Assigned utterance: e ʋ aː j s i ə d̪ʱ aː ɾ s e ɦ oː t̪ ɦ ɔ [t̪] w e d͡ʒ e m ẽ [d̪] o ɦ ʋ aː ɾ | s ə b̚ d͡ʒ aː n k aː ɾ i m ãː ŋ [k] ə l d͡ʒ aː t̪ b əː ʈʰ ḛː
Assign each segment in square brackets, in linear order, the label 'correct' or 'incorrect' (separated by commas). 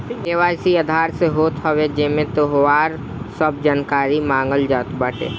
incorrect, incorrect, incorrect